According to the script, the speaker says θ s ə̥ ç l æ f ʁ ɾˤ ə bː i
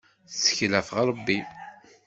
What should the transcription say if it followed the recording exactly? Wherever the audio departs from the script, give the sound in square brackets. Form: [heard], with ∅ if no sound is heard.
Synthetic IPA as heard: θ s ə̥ ç l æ f ʁ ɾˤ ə bː i